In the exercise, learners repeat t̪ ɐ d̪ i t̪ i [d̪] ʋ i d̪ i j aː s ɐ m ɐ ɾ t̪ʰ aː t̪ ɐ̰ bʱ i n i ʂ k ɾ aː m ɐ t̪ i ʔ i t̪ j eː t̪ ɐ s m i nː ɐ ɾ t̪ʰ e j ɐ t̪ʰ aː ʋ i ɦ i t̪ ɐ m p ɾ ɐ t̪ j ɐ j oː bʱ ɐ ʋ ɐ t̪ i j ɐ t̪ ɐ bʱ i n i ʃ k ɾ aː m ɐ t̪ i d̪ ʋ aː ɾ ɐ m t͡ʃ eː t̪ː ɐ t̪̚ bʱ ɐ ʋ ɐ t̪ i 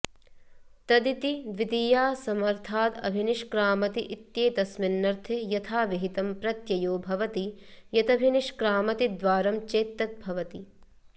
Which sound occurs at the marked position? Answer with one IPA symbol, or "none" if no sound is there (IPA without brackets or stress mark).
d̪